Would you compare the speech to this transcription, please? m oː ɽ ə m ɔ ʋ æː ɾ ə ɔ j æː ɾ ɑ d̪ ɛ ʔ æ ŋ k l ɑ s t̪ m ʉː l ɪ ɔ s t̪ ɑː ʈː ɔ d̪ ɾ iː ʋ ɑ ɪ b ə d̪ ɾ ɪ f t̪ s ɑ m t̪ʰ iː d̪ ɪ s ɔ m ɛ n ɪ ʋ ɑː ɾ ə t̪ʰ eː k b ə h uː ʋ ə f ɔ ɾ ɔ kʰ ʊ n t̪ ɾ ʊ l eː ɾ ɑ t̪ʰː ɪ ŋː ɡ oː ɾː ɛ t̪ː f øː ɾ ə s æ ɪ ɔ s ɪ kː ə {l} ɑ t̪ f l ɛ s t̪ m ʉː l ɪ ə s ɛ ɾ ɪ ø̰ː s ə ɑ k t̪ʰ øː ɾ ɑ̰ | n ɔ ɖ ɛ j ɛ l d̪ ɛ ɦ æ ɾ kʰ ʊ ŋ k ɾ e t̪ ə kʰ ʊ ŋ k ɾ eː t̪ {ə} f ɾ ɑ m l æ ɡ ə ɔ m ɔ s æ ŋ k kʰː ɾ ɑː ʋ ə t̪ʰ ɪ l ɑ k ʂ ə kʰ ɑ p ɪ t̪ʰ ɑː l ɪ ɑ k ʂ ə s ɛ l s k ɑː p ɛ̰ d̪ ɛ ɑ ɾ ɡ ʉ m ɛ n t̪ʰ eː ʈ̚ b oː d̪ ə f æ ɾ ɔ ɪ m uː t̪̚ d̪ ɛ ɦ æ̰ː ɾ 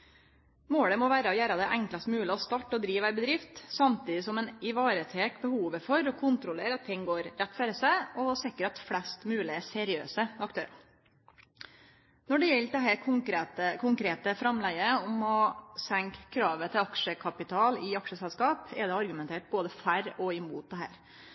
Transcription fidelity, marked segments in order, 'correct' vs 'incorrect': incorrect: ɾ, correct

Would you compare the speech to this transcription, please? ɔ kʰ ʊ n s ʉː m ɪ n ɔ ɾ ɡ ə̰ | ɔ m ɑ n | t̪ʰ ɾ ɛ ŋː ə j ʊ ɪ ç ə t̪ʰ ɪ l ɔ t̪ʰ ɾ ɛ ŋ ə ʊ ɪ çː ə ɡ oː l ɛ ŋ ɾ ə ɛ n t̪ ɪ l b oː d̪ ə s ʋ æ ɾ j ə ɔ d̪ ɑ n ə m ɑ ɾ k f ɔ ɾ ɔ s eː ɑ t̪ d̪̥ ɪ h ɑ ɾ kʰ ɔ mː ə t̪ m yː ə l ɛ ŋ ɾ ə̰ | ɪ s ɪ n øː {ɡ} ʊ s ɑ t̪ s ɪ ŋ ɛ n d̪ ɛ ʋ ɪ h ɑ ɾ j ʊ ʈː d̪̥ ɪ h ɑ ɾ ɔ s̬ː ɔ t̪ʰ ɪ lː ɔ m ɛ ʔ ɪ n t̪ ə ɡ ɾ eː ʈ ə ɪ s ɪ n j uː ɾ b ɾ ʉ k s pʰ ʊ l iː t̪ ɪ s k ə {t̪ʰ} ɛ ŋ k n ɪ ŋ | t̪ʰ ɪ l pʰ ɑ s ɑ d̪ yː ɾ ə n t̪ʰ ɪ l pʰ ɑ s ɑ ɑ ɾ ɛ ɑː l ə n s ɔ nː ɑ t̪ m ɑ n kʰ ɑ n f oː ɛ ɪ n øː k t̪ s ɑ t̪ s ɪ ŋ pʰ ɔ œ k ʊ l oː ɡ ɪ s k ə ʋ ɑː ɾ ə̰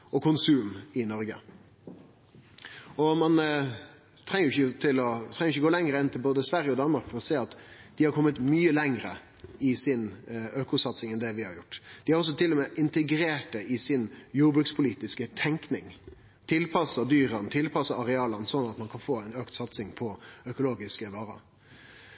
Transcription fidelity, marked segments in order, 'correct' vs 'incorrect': incorrect: k, correct

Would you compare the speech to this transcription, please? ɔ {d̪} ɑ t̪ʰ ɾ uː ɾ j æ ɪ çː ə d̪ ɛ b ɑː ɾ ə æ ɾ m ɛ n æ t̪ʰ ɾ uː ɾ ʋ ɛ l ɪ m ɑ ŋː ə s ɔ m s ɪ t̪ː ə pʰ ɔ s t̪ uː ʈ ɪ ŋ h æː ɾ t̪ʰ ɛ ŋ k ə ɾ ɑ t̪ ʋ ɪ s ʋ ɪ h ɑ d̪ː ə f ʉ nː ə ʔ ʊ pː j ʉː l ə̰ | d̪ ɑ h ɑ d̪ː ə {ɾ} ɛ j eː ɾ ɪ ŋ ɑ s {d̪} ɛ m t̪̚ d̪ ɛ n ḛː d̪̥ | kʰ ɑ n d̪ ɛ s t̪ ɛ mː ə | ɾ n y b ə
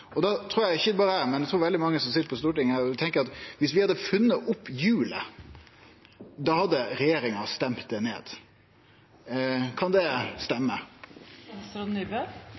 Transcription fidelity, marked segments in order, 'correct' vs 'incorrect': correct, correct, incorrect: t̪

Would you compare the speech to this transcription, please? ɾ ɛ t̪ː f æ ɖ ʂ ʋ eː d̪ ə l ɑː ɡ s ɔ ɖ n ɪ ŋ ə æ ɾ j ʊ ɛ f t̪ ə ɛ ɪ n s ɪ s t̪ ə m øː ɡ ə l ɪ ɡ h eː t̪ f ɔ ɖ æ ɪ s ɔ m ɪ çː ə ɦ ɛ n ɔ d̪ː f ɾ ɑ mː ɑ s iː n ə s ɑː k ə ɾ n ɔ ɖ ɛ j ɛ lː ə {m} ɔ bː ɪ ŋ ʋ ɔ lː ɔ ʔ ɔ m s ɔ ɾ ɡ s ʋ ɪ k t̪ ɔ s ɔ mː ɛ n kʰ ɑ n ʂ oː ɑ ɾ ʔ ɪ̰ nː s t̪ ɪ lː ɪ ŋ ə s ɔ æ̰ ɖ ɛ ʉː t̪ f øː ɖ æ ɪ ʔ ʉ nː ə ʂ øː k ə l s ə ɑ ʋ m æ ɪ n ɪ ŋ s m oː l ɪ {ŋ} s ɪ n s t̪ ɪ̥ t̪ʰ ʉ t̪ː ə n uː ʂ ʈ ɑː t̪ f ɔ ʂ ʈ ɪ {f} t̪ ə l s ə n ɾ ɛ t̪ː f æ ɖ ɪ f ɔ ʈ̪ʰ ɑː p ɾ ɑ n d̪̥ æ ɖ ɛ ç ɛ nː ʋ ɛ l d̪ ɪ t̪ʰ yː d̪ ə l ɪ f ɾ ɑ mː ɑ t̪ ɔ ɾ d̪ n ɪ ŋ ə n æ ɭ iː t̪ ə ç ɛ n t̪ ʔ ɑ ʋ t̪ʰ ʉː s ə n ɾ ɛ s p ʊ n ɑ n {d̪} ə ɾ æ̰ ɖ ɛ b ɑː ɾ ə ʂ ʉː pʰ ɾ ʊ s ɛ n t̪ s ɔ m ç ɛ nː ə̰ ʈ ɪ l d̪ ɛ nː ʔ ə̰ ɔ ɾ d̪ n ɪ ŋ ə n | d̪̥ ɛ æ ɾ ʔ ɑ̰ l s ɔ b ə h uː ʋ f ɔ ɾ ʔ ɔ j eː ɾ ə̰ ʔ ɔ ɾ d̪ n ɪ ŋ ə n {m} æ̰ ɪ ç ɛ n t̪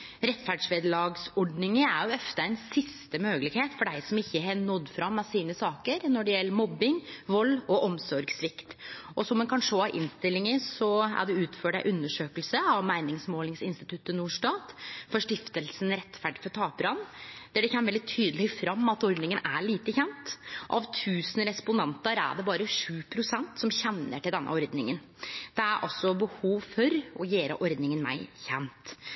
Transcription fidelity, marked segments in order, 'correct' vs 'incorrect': correct, correct, correct, incorrect: t̪, correct

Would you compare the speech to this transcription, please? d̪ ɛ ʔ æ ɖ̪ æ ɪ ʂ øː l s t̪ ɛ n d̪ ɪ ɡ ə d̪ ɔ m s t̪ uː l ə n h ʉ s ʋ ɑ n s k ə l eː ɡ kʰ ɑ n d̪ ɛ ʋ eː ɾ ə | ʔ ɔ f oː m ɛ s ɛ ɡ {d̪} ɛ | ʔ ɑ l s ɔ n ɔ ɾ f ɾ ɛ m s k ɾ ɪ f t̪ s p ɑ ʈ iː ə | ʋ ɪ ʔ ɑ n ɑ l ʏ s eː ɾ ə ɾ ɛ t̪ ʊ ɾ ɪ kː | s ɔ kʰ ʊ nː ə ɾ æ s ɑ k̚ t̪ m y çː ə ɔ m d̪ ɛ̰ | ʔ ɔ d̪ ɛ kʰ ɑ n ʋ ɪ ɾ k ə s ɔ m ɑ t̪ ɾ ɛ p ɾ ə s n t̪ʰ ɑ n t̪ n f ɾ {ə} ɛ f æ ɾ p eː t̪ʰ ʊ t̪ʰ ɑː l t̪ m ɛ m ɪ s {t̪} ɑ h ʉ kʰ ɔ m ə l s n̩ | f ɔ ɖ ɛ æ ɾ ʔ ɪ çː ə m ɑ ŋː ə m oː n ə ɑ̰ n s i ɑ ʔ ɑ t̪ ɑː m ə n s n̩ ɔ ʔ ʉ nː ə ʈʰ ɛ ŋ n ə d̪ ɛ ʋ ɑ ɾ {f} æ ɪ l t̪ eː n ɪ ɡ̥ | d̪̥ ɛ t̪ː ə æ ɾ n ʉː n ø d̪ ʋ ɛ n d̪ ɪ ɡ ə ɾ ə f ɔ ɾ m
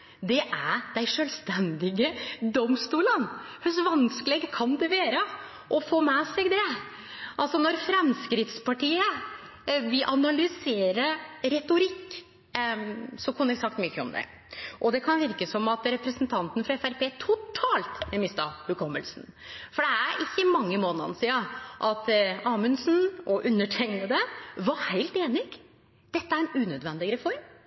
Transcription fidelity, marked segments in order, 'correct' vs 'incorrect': correct, incorrect: ɑ, correct, incorrect: h

